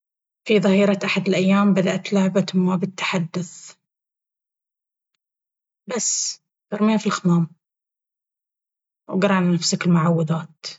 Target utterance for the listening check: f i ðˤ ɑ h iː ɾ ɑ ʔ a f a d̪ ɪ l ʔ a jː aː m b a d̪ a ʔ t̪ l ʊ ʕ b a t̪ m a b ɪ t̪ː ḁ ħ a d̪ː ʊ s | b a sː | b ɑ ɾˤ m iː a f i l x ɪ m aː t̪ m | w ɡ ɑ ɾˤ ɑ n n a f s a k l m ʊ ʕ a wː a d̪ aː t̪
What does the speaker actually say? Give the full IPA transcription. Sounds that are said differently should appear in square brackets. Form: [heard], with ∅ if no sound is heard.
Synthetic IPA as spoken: f i ðˤ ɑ h iː ɾ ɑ ʔ a [ħ] a d̪ ɪ l ʔ a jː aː m b a d̪ a ʔ t̪ l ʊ ʕ b a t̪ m a b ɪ t̪ː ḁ ħ a d̪ː ʊ [θ] | b a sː | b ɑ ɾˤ m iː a f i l x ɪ m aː [∅] m | w ɡ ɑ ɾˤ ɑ n n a f s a k l m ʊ ʕ a wː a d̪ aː t̪